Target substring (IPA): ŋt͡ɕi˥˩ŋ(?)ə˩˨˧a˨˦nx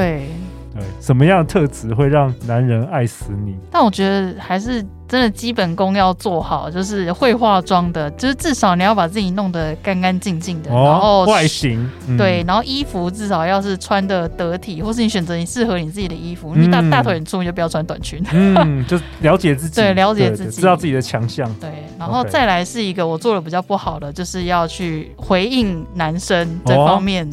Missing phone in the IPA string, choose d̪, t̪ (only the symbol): d̪